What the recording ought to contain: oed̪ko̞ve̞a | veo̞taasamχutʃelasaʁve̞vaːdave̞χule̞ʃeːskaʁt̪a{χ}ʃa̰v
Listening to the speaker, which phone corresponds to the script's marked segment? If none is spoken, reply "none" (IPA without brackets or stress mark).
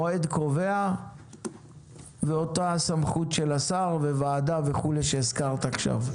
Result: χ